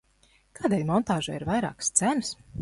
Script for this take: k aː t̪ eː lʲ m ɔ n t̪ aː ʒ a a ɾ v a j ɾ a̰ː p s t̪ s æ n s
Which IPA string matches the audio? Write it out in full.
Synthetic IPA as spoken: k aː d̪ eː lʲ m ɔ n t̪ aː ʒ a i ɾ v a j ɾ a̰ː k s t̪ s æ n s

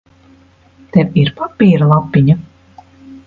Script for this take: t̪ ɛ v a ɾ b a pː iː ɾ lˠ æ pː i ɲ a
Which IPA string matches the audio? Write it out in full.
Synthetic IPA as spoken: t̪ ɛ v i ɾ p a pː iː ɾ lˠ a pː i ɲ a

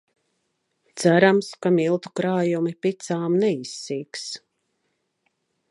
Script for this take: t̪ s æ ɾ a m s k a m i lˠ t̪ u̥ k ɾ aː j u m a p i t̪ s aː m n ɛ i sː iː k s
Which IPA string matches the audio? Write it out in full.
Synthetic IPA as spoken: t̪ s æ ɾ a m s k a m i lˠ t̪ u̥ k ɾ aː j u m i p i t̪ s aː m n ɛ i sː iː k s

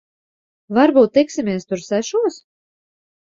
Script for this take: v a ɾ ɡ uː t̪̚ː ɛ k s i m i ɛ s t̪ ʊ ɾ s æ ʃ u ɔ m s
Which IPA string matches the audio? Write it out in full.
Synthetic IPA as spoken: v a ɾ b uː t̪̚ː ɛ k s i m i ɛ s t̪ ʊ ɾ s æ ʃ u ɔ s

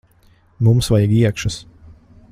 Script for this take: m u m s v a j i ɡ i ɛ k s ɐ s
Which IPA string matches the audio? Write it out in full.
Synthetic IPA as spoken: m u m s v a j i ɡ i ɛ k ʃ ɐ s

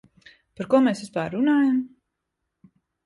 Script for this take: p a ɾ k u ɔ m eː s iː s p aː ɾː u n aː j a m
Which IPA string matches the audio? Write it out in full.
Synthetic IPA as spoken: p a ɾ k u ɔ m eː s i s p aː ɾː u n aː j a m

